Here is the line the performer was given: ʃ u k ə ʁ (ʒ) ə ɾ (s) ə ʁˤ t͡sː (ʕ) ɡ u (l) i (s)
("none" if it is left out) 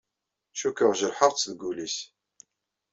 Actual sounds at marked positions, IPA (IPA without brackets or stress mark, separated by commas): ʒ, ħ, ð, l, s